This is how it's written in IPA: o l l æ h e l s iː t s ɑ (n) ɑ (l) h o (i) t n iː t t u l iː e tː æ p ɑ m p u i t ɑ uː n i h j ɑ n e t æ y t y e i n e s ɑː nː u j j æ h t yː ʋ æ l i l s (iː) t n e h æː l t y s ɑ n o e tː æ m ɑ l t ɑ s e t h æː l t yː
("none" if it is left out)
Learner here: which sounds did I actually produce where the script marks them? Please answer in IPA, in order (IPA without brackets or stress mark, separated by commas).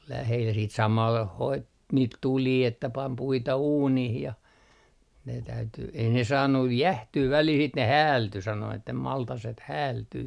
m, l, i, i